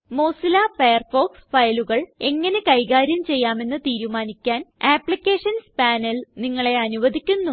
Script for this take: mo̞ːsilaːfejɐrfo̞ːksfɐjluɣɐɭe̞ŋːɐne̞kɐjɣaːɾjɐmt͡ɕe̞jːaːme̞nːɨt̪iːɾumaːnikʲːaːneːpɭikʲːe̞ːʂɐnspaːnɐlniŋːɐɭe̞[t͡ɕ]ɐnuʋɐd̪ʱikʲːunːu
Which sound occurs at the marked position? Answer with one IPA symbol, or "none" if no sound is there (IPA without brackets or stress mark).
none